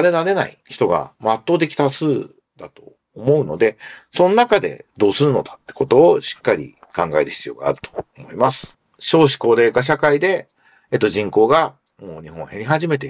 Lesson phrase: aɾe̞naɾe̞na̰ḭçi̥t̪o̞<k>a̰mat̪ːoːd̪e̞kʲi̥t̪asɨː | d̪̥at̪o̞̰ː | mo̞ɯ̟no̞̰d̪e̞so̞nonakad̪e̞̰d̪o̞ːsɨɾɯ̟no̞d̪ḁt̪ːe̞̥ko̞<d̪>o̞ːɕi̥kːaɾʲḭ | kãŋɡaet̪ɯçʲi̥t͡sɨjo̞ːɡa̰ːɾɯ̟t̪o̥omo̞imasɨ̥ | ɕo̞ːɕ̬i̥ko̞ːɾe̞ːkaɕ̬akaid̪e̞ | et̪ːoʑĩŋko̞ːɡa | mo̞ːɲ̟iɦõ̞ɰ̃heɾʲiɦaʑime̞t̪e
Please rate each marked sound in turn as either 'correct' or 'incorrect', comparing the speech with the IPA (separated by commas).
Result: incorrect, incorrect